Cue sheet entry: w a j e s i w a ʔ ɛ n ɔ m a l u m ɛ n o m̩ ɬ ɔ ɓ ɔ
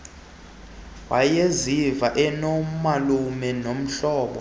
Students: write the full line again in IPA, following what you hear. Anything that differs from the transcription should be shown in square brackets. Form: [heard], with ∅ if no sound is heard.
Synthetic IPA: w a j e [z] i [v] a ʔ ɛ n ɔ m a l u m ɛ n o m̩ ɬ [ɔː] ɓ ɔ